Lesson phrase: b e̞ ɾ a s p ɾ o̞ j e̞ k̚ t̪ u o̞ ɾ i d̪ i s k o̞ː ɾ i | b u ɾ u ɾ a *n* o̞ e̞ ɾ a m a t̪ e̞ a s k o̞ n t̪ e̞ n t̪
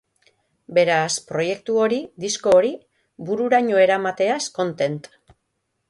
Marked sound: incorrect: ɲ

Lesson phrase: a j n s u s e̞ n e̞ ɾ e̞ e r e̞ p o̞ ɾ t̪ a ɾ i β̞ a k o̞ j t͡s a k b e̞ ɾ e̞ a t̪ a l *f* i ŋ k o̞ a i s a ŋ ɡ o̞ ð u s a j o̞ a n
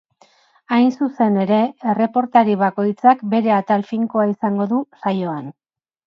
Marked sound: correct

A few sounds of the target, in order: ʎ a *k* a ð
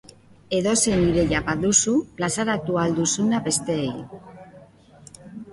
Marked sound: incorrect: p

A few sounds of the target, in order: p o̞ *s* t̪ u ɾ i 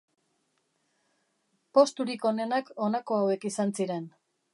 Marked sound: correct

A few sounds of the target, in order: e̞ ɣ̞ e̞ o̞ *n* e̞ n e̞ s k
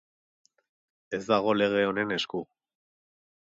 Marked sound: correct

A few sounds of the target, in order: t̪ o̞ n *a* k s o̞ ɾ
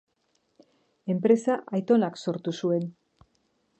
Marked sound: correct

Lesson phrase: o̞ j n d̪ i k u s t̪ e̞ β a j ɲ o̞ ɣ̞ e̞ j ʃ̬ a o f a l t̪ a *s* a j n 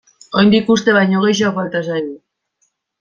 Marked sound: correct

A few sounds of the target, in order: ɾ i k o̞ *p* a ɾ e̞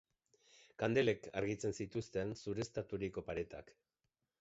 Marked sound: correct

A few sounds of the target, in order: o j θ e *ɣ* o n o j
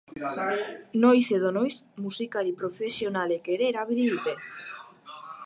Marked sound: incorrect: ð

